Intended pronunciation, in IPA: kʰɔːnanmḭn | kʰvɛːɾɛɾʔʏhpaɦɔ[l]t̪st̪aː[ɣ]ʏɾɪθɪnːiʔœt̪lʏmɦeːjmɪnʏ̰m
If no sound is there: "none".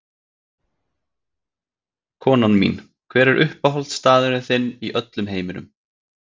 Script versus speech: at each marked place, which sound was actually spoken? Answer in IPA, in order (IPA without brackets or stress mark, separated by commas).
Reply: l, ð